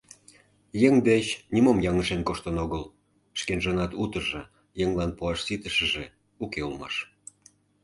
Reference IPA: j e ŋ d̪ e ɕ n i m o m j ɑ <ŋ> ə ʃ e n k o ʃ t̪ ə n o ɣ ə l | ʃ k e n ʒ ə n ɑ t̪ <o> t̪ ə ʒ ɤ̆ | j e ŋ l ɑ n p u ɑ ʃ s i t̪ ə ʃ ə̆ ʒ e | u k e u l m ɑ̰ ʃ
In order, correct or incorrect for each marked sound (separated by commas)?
correct, incorrect